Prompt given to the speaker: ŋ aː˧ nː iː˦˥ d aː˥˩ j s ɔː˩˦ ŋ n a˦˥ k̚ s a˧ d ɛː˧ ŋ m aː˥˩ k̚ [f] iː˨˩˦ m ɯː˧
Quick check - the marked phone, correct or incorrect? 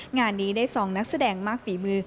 correct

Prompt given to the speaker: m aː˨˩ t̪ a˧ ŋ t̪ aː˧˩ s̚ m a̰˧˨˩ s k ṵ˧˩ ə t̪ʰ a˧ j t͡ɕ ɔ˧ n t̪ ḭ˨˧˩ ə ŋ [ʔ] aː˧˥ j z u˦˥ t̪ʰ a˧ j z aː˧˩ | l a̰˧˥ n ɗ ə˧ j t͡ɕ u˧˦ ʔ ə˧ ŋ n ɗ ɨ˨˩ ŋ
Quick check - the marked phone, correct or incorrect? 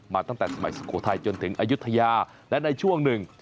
correct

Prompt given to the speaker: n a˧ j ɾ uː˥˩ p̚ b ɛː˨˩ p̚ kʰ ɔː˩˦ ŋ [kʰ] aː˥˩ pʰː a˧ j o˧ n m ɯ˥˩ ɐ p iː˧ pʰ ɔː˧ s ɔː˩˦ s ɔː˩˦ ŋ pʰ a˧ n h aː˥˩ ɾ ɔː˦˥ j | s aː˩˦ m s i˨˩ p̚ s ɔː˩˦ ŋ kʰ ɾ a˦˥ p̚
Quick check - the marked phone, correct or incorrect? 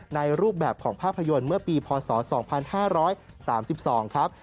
incorrect: pʰ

